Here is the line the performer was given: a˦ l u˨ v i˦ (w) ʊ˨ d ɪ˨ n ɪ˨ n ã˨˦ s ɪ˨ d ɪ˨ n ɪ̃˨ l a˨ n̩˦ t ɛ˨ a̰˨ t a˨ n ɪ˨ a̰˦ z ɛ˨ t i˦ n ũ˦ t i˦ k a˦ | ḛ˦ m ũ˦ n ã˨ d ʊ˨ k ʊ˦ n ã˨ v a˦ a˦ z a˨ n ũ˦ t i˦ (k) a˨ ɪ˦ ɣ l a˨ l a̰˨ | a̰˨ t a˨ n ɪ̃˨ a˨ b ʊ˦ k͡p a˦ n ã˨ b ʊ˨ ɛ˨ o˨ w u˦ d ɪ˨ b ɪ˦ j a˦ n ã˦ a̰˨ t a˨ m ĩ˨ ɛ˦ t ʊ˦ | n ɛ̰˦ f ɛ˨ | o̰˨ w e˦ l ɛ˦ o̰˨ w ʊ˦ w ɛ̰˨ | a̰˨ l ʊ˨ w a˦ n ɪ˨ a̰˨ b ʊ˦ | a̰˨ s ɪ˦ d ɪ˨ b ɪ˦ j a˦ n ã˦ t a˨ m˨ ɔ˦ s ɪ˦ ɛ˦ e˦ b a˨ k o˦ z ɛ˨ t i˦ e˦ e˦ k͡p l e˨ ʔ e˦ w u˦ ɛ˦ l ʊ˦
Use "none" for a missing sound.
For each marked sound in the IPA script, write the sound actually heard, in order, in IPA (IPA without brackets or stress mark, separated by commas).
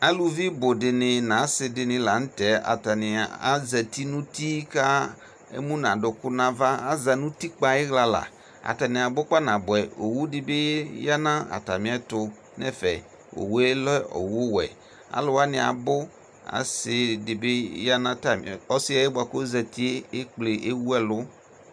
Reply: b, k͡p